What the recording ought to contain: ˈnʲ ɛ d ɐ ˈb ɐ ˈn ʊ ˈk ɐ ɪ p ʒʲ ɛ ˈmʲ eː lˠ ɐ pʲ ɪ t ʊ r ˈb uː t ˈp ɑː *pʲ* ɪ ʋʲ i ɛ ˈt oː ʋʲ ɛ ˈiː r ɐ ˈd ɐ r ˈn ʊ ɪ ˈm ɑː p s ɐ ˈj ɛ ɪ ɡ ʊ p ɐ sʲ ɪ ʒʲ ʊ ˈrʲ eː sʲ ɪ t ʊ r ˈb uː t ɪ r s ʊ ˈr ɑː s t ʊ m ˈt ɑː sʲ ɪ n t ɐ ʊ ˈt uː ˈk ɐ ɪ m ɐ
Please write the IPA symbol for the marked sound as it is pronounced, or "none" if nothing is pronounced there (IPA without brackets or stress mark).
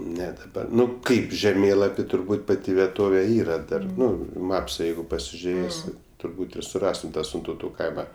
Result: tʲ